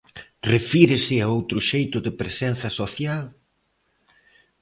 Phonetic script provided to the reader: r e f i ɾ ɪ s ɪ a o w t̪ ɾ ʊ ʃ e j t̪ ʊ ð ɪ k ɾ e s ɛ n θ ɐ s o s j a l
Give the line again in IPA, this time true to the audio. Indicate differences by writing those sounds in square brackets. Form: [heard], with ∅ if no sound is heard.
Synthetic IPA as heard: r e f i ɾ ɪ s ɪ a o w t̪ ɾ ʊ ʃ e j t̪ ʊ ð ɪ [p] ɾ e s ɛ n θ ɐ s o [θ] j a l